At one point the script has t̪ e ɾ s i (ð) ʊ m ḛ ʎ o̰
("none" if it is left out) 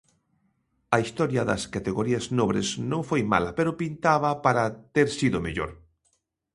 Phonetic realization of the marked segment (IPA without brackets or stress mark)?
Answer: ð